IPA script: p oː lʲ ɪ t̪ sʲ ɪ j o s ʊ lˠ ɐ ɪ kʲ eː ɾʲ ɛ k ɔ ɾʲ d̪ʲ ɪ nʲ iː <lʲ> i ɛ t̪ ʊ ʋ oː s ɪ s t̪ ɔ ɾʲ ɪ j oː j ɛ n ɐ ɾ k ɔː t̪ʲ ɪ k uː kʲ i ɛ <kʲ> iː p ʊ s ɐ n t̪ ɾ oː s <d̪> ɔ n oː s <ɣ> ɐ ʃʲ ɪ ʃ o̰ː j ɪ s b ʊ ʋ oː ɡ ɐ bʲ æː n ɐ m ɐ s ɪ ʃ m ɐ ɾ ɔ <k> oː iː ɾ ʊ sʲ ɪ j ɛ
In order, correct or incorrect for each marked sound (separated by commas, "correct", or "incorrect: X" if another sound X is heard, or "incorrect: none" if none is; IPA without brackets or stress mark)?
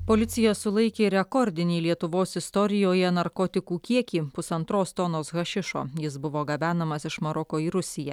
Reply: correct, correct, incorrect: t̪, correct, correct